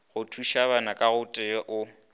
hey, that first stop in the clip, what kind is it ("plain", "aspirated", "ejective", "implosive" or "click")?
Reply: aspirated